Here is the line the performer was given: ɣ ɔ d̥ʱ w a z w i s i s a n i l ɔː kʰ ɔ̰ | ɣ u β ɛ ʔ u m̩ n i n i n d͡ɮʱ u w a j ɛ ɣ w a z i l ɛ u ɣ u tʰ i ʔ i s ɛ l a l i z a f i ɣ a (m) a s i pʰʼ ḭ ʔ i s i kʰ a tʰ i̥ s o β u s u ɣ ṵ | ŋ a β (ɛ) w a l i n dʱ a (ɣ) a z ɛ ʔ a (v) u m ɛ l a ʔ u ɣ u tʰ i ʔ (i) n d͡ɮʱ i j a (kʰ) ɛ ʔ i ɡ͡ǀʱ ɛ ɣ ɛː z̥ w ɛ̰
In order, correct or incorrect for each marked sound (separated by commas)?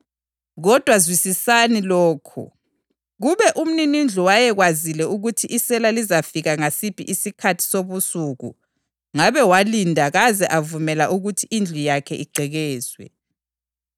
incorrect, correct, correct, correct, correct, correct